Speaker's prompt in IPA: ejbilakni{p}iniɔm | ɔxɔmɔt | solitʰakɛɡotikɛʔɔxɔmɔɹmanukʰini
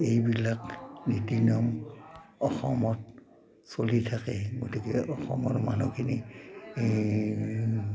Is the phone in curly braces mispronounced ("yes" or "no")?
yes